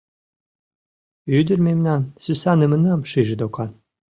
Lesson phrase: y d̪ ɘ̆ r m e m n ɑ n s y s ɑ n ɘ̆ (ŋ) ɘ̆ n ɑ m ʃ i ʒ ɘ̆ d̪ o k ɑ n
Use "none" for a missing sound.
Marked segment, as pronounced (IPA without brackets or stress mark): m